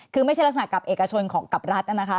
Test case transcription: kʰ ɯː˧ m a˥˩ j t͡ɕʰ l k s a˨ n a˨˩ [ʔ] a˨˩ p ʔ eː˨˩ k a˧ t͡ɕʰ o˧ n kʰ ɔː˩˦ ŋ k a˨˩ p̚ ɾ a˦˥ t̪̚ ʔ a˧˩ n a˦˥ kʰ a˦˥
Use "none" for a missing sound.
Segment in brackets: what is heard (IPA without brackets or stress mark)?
k